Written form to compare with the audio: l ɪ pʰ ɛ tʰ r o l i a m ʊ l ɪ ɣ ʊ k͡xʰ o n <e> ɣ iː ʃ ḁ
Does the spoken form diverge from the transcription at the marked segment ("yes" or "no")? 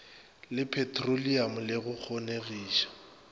no